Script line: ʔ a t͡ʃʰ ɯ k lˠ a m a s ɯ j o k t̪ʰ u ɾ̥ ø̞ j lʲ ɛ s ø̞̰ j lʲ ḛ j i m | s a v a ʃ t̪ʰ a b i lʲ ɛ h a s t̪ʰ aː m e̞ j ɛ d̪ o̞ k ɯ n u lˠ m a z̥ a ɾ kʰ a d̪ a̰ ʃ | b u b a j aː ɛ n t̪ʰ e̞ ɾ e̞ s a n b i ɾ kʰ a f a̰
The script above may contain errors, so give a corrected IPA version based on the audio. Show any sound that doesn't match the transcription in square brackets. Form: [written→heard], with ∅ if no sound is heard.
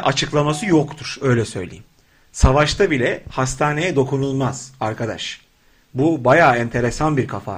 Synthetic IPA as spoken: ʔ a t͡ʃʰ ɯ k lˠ a m a s ɯ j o k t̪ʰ u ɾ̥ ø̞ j lʲ ɛ s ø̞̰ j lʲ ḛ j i m | s a v a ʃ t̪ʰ a b i lʲ ɛ h a s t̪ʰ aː [m→n] e̞ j ɛ d̪ o̞ k [ɯ→u] n u lˠ m a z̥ a ɾ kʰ a d̪ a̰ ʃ | b u b a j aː ɛ n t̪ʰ e̞ ɾ e̞ s a n b i ɾ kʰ a f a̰